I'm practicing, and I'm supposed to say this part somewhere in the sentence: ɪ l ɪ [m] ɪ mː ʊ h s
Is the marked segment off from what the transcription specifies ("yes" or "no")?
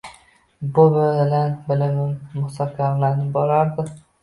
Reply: no